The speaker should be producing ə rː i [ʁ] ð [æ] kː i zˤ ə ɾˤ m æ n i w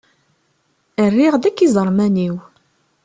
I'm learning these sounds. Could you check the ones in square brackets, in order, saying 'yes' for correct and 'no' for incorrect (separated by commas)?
yes, yes